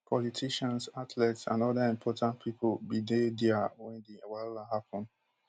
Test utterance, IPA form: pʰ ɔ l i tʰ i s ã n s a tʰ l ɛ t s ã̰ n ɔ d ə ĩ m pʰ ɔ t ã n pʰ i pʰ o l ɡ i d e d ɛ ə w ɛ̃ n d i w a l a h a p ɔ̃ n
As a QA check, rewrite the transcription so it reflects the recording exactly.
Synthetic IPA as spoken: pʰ ɔ l i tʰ i ʃ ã n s a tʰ l ɛ t s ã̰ n ɔ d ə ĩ m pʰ ɔ t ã n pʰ i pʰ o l b i d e d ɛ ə w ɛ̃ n d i w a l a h a p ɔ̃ n

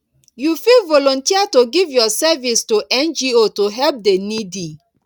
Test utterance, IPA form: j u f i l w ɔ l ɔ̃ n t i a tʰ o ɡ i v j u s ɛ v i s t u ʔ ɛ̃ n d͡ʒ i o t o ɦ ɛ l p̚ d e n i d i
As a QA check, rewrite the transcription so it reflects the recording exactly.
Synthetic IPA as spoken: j u f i l v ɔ l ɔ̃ n t i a t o ɡ i v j ɔ s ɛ v i s t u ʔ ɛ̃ n d͡ʒ i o t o ɦ ɛ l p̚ d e n i d i

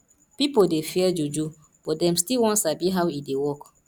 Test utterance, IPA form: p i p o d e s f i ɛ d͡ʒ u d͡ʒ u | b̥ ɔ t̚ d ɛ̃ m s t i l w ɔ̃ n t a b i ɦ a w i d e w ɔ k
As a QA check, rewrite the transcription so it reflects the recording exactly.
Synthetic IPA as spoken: p i p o d e f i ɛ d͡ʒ u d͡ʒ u | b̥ ɔ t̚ d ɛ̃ m s t i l w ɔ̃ n s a b i ɦ a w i d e w ɔ k

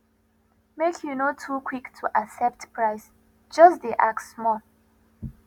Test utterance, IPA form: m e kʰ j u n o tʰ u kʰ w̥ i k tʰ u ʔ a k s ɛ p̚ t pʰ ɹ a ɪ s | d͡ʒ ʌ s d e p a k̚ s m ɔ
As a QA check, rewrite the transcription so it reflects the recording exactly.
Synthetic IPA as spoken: m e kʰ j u n o tʰ u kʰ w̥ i k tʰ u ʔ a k s ɛ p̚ t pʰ ɹ a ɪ s | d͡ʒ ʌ s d e ʔ a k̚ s m ɔ

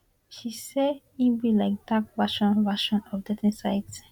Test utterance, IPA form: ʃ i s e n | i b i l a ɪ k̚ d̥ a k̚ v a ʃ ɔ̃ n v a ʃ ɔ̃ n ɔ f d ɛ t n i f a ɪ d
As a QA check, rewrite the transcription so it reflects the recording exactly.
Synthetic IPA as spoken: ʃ i s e | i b i l a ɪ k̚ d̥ a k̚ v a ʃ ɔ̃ n v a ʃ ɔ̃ n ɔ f d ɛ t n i s a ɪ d

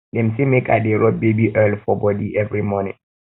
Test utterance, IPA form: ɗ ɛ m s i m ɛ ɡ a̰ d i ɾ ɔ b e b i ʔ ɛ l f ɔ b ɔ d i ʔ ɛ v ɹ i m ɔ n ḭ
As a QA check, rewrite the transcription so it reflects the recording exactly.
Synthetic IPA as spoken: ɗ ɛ m s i m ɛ k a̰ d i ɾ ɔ b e b i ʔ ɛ l f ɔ b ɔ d i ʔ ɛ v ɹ i m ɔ n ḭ

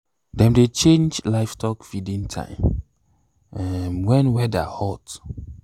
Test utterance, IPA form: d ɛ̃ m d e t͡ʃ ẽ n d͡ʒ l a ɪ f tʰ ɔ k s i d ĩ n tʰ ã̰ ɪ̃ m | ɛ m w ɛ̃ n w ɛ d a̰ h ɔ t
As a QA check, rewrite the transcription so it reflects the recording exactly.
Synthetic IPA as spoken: d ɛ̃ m d e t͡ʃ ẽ n d͡ʒ l a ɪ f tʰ ɔ k f i d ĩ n tʰ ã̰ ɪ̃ m | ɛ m w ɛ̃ n w ɛ d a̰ h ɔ t

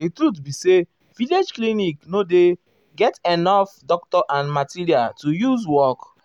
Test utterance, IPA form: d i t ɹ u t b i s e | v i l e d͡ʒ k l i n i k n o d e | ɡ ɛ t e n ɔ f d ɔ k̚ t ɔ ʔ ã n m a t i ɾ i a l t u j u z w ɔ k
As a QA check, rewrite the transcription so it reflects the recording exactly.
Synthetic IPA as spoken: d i t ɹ u t b i s e | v i l e d͡ʒ k l i n i k n o d e | ɡ ɛ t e n ɔ f d ɔ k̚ t ɔ ʔ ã n m a t i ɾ i a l t u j u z w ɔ k

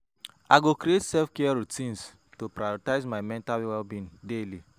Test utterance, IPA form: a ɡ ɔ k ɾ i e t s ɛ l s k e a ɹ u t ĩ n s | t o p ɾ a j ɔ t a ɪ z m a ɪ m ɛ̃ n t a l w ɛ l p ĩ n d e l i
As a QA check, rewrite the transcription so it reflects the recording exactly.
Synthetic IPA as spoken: a ɡ o k ɾ i e t s ɛ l f k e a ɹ u t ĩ n s | t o p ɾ a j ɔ t a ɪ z m a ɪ m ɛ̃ n t a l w ɛ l b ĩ n d e l i

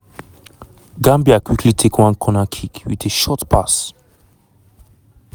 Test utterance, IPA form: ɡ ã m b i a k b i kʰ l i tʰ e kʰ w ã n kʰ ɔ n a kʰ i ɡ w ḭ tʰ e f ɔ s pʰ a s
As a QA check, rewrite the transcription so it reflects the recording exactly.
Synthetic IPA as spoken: ɡ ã m b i a k w i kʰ l i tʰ e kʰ w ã n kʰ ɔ n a kʰ i k w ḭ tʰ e ʃ ɔ t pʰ a s

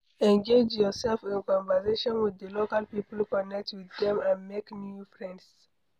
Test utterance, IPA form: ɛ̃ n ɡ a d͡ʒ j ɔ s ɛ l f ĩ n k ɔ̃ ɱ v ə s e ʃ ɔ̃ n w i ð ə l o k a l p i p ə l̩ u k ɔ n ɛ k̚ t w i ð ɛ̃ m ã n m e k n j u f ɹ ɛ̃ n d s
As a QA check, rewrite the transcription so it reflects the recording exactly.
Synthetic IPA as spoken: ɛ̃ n ɡ e d͡ʒ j ɔ s ɛ l f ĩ n k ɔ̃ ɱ v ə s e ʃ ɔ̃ n w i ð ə l o k a l p i p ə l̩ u k ɔ n ɛ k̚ t w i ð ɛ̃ m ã n m e k n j u f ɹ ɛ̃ n d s

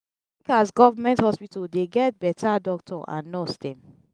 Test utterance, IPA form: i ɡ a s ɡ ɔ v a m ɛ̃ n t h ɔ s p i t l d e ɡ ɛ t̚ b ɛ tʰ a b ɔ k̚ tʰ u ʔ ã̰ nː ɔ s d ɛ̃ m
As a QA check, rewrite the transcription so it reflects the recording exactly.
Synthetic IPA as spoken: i k a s ɡ ɔ v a m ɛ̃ n t h ɔ s p i t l d e ɡ ɛ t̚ b ɛ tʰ a d ɔ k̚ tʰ ɔ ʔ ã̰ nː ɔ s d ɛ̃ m

